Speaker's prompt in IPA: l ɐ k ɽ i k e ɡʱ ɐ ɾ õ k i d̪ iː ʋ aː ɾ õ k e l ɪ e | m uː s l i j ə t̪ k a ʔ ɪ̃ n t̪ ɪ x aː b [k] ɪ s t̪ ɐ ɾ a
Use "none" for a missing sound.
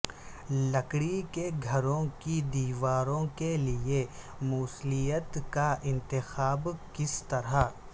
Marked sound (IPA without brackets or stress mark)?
k